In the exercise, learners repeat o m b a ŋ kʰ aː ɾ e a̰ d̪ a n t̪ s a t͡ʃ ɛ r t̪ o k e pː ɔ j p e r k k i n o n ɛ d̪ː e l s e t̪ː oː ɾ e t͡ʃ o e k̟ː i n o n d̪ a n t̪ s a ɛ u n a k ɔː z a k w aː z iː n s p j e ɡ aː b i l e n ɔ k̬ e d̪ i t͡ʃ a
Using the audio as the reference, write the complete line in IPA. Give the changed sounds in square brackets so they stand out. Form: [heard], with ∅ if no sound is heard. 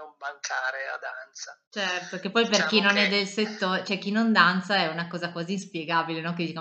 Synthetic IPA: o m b a ŋ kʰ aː ɾ e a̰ d̪ a n t̪ s a t͡ʃ ɛ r t̪ o k e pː ɔ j p e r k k i n o n ɛ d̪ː e l s e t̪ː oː ɾ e t͡ʃ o [ɛ] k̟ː i n o n d̪ a n t̪ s a ɛ u n a k ɔː z a k w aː z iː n s p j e ɡ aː b i l e n ɔ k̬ e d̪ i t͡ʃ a